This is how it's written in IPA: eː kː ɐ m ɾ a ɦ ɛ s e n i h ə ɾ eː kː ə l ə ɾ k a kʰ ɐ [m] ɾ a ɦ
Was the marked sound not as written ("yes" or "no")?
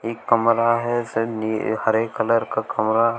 no